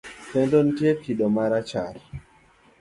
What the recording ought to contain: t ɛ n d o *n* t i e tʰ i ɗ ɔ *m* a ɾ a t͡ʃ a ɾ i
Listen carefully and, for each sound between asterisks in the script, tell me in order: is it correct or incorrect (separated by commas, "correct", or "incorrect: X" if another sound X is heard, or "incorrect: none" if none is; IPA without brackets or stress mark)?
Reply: correct, correct